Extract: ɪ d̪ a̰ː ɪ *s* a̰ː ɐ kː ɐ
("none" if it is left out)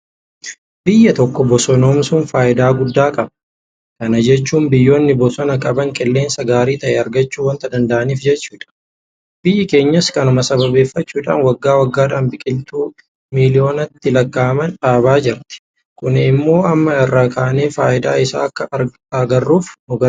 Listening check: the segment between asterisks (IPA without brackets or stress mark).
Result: s